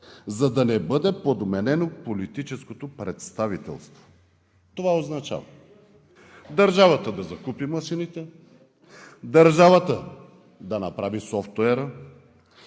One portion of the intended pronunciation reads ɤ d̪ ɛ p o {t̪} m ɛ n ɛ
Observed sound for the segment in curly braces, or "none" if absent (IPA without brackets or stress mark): d̪